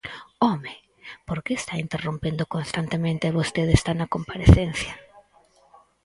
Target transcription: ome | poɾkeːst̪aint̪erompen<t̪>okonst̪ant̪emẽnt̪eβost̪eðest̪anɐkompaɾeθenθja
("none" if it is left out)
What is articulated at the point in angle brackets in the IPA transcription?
d̪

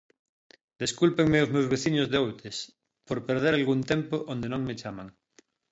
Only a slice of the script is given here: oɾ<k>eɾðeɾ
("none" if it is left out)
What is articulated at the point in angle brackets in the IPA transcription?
p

